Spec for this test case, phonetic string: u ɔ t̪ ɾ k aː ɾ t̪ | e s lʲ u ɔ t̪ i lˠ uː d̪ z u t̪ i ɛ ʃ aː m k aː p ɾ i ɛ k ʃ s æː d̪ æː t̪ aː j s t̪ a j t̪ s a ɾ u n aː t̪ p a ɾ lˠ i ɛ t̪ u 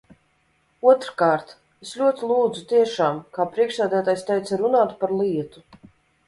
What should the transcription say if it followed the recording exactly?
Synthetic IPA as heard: u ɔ t̪ ɾ k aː ɾ t̪ | e s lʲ u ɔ t̪ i lˠ uː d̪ z u t̪ i ɛ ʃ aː m k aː p ɾ i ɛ k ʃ s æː d̪ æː t̪ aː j s t̪ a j t̪ s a ɾ u n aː t̪ p a ɾ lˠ i ɛ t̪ u